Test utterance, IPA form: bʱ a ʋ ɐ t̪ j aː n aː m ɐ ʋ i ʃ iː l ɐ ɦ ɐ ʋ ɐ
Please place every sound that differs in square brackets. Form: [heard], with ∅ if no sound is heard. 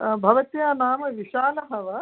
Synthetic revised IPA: bʱ [ɐ] ʋ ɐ t̪ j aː n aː m ɐ ʋ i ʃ [aː] l ɐ ɦ ɐ ʋ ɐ